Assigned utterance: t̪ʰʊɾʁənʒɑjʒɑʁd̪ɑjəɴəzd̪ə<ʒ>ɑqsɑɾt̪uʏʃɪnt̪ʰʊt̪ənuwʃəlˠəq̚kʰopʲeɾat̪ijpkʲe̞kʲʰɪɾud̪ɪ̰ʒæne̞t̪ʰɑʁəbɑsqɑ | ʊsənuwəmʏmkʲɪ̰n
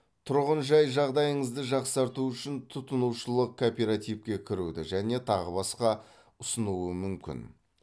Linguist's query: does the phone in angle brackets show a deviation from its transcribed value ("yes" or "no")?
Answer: no